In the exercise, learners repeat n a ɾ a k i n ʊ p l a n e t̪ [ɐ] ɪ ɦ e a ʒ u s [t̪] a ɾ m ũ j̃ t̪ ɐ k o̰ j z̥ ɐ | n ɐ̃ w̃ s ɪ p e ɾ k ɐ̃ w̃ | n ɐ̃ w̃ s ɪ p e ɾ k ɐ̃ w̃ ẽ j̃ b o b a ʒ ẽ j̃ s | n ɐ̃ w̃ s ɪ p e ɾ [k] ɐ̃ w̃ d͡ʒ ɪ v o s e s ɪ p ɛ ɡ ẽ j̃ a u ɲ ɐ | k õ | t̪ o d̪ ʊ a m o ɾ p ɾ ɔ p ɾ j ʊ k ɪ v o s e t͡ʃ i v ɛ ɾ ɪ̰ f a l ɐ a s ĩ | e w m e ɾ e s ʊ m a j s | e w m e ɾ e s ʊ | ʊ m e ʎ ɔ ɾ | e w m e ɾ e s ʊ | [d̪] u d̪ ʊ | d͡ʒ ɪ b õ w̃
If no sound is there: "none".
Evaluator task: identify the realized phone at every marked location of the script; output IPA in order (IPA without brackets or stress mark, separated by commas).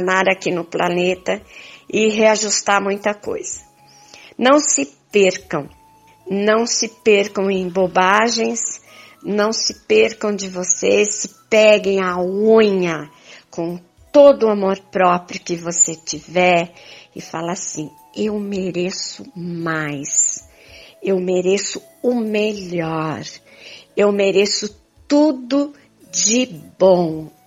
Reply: ɐ, t̪, k, t̪